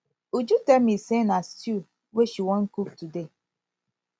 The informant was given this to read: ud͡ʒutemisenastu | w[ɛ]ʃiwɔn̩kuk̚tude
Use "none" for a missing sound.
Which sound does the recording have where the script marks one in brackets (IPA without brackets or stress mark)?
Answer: e